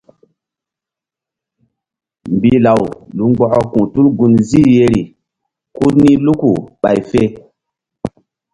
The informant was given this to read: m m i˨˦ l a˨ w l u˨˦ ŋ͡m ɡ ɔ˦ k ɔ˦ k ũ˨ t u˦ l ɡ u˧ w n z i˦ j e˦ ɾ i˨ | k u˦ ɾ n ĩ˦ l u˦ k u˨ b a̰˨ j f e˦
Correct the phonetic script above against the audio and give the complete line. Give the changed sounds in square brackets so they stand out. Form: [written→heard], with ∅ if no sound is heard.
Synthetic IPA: m [m→b] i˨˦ l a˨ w l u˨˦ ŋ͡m [ɡ→ɡ͡b] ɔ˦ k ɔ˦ k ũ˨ t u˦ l ɡ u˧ [w→∅] n z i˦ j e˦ ɾ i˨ | k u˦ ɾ n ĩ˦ l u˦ k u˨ [b→ɓ] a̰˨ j f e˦